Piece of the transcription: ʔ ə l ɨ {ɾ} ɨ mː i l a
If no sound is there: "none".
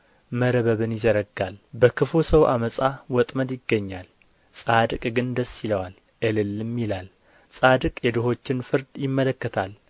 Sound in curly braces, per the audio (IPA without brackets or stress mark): l